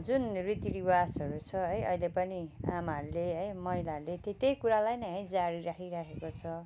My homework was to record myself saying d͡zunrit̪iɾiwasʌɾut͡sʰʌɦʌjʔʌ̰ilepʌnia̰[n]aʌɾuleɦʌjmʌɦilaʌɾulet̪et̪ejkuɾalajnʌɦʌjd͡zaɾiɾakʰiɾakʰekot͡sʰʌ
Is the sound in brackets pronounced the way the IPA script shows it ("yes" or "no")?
no